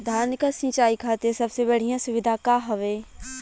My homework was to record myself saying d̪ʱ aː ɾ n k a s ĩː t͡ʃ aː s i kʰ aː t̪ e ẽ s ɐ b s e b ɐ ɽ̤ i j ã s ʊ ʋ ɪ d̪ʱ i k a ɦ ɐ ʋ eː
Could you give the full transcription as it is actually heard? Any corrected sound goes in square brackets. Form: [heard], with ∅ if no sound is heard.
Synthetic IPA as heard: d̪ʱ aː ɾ n k a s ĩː t͡ʃ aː [∅] i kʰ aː t̪ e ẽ s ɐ b s e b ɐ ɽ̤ i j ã s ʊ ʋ ɪ d̪ʱ [a] k a ɦ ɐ ʋ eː